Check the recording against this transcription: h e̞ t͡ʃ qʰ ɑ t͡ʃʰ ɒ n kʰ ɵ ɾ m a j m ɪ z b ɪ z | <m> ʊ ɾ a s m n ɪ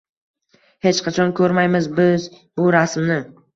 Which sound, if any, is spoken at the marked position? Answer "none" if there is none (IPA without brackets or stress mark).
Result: b